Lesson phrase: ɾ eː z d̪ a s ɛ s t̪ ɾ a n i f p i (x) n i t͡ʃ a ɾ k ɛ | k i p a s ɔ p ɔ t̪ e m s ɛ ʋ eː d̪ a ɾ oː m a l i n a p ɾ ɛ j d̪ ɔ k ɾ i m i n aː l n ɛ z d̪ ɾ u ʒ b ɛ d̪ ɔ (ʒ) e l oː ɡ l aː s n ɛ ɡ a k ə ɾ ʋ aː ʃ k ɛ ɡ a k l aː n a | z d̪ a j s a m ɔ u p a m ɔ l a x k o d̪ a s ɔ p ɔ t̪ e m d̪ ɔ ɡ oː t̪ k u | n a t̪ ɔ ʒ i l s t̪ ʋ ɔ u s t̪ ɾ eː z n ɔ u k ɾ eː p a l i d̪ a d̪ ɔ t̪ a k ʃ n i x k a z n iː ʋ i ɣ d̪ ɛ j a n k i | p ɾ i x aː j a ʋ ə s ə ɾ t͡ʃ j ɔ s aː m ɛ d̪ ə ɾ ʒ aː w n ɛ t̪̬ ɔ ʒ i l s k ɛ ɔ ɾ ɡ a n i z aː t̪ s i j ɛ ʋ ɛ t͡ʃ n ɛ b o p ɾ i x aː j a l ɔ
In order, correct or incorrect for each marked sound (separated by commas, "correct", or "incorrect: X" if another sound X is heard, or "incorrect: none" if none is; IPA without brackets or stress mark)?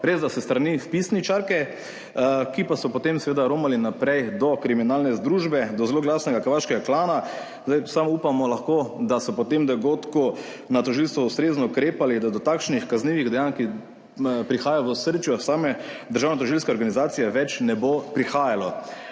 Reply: incorrect: s, incorrect: z